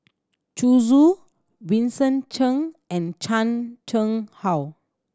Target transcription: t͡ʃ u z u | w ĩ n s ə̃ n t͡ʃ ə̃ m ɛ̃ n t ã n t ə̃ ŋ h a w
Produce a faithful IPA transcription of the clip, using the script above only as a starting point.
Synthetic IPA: t͡ʃ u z u | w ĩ n s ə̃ n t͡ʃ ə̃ ŋ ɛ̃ n t͡ʃ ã n t͡ʃ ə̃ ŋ h a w